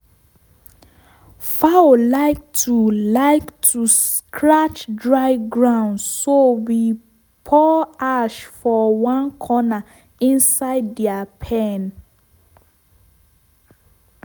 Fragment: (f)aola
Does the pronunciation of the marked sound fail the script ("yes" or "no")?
no